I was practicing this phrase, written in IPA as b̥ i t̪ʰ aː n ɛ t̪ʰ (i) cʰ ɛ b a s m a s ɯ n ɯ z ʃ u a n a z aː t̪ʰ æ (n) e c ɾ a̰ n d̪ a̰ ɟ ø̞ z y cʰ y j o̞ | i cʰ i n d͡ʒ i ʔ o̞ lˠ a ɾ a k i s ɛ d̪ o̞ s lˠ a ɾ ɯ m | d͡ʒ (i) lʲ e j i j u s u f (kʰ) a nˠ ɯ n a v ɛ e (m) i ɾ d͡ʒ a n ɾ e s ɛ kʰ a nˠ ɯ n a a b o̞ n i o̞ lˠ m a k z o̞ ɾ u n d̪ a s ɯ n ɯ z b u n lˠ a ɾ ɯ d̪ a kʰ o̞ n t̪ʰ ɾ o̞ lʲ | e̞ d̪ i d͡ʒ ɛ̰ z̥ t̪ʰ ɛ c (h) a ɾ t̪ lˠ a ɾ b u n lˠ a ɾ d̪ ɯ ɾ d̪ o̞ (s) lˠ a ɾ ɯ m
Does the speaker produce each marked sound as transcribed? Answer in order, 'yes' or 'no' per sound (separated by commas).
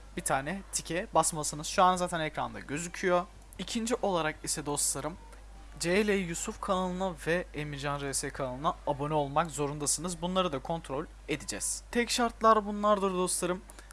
yes, yes, no, yes, yes, no, yes